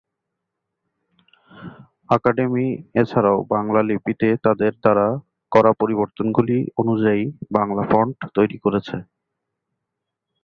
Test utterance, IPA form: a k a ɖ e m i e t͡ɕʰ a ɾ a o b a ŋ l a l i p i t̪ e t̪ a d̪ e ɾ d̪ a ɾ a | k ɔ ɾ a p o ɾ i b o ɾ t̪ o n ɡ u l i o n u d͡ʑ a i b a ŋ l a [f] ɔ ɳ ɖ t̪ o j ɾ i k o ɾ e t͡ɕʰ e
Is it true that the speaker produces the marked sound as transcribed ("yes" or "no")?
yes